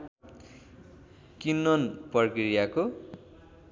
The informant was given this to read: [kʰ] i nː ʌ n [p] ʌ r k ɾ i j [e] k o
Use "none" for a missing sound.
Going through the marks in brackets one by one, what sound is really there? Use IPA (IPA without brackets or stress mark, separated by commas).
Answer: k, p, a